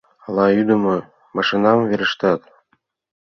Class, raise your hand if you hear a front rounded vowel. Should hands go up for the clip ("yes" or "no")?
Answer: yes